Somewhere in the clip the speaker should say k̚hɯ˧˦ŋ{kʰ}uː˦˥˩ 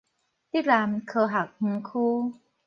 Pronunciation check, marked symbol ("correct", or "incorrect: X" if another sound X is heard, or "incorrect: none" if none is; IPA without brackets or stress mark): correct